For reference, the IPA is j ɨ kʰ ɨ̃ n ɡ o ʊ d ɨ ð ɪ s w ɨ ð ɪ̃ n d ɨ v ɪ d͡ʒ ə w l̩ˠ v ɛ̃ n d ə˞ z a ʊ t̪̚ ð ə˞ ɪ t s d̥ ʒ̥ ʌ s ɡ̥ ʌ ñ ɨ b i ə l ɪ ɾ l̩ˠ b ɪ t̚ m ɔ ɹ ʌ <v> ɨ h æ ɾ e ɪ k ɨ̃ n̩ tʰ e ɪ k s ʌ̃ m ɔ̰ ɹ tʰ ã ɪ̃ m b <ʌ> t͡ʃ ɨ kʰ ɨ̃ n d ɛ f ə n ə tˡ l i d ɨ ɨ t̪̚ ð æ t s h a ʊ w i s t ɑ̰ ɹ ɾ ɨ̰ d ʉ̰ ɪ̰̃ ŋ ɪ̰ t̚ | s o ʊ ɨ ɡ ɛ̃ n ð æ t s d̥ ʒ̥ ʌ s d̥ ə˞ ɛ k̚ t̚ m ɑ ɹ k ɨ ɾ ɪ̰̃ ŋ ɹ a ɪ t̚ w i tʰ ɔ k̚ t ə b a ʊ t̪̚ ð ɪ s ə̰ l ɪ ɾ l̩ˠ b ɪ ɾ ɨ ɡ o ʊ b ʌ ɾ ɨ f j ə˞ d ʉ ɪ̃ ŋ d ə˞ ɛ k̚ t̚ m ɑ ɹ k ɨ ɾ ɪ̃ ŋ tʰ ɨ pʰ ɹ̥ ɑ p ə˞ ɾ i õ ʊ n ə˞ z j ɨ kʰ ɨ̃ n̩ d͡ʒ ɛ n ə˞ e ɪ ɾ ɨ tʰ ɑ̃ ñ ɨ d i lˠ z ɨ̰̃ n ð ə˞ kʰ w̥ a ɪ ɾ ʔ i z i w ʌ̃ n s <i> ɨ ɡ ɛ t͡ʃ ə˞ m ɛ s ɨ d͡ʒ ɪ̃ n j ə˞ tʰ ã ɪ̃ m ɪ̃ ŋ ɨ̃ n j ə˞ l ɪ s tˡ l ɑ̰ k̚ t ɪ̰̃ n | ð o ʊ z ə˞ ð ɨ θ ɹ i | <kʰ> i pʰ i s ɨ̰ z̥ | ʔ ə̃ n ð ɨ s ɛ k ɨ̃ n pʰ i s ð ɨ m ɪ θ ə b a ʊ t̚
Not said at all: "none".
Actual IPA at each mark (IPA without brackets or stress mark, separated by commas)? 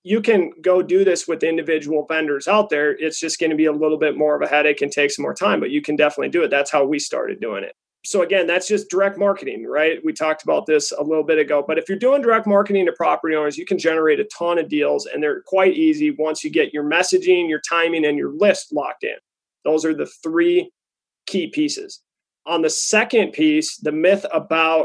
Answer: v, ʌ, j, kʰ